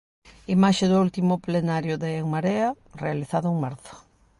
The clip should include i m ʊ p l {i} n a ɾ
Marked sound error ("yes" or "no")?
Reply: yes